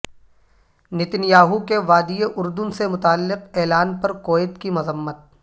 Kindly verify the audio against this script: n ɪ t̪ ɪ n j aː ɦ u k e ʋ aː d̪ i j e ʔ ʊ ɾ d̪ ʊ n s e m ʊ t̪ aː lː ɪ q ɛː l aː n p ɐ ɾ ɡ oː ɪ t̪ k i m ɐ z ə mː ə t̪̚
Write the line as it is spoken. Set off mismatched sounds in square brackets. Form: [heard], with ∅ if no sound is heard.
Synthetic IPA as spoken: n ɪ t̪ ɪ n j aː ɦ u k e ʋ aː d̪ i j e ʔ ʊ ɾ d̪ ʊ n s e m ʊ t̪ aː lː ɪ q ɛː l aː n p ɐ ɾ [k] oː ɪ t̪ k i m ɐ z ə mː ə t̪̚